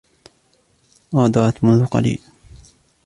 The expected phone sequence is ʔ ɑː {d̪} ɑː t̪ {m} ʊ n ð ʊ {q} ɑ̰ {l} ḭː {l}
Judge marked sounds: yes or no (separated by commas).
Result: yes, yes, yes, yes, yes